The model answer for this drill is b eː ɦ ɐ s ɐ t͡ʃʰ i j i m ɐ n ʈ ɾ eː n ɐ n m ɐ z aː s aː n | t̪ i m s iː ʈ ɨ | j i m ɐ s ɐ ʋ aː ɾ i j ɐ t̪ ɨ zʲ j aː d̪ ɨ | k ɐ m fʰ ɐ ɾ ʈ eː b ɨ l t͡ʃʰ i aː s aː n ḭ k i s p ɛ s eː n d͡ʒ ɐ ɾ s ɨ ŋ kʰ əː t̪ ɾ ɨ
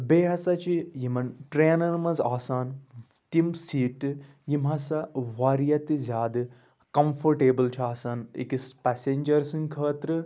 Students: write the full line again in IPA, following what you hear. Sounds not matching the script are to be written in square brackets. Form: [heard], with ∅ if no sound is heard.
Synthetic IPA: b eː ɦ ɐ s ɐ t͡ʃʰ i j i m ɐ n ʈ ɾ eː n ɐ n m ɐ z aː s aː n | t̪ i m s iː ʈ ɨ | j i m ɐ s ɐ ʋ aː ɾ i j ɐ t̪ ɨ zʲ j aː d̪ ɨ | k ɐ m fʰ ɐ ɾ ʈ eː b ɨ l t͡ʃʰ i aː s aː n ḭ k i s p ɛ s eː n d͡ʒ ɐ ɾ s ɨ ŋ kʰ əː t̪ ɾ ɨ